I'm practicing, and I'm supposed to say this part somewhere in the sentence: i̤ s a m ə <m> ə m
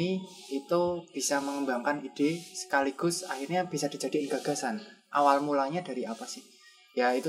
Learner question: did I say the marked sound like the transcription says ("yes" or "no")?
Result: no